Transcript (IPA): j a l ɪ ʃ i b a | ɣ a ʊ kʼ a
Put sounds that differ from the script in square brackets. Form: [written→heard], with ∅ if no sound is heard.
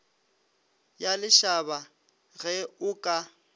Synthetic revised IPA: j a l ɪ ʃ [i→a] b a | ɣ [a→ɛ] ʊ kʼ a